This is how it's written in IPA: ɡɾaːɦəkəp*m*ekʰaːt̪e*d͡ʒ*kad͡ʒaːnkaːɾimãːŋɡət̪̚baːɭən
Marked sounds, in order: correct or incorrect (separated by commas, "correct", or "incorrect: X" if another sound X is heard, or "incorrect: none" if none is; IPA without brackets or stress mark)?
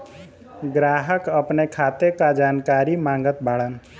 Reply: incorrect: n, incorrect: none